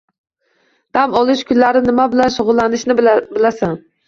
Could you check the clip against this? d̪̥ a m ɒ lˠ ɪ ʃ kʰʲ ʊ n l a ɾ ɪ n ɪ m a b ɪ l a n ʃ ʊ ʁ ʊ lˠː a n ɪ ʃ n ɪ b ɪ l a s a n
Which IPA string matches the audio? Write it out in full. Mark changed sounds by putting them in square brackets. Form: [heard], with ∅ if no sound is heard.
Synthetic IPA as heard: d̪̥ a m ɒ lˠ ɪ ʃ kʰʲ ʊ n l a ɾ ɪ n ɪ m a b ɪ l a n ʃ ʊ ʁ ʊ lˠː a n ɪ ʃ n ɪ b ɪ l a s a n